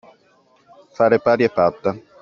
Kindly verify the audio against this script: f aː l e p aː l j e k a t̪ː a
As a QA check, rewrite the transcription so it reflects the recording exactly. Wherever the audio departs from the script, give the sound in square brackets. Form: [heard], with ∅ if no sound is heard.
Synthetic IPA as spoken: f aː [ɾ] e p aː [ɾ] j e [p] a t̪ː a